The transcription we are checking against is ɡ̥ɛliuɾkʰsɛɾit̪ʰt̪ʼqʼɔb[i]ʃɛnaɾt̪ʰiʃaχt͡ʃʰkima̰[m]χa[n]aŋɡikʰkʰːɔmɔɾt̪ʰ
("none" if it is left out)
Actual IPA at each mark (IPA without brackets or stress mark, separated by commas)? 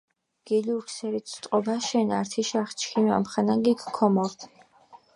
a, m, n